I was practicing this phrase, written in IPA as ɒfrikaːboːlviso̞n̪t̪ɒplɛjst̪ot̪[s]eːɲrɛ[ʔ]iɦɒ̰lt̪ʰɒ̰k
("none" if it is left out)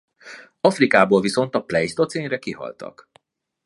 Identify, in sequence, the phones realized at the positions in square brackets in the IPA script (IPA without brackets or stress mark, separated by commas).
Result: s, k